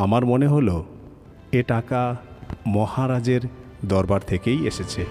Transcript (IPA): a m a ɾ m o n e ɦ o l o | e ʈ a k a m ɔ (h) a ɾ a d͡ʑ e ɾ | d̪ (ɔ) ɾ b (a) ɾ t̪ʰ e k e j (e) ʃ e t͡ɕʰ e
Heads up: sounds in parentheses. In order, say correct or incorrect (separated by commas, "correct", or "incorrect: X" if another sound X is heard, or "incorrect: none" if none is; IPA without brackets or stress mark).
correct, correct, correct, correct